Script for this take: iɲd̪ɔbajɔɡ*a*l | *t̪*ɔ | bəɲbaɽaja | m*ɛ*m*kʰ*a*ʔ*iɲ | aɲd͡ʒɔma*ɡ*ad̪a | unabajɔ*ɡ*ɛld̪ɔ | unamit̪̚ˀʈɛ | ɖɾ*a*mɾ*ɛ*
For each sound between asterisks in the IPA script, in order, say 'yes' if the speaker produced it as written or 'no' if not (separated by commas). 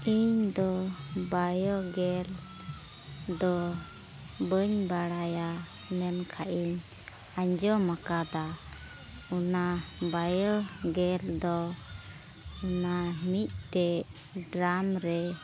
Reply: no, no, yes, yes, yes, no, yes, yes, yes